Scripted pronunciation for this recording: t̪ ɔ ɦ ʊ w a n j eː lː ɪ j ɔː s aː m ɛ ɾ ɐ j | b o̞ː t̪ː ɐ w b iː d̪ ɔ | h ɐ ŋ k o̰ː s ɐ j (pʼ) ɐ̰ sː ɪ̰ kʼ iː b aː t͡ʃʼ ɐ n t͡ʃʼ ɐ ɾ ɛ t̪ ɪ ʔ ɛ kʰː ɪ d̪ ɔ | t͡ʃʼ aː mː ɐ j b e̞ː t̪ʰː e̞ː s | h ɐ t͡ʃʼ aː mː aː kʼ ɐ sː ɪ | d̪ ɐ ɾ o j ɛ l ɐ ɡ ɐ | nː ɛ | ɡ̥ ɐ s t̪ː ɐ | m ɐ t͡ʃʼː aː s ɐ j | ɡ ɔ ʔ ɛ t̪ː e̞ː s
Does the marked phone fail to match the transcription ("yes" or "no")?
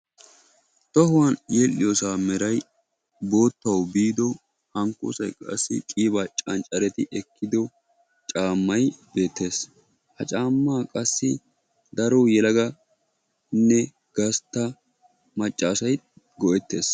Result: yes